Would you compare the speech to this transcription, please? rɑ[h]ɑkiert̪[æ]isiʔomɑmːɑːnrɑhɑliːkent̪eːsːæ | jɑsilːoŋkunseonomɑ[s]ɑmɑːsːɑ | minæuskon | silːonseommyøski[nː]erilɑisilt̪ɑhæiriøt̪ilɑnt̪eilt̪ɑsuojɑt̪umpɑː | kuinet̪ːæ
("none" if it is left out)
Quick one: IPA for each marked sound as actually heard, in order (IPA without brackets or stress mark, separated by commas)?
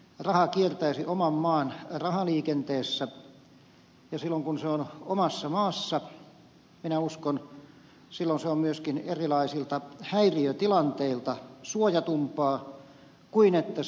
h, æ, sː, n